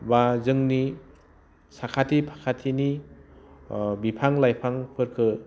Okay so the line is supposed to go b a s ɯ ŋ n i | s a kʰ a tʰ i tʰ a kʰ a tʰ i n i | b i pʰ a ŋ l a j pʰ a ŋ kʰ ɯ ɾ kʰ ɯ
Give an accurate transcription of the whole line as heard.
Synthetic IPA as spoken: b a z ɯ ŋ n i | s a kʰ a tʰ i pʰ a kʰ a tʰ i n i | b i pʰ a ŋ l a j pʰ a ŋ pʰ ɯ ɾ kʰ ɯ